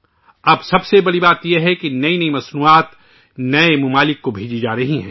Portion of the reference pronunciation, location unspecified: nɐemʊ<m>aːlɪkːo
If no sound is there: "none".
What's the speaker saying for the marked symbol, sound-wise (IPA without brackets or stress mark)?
m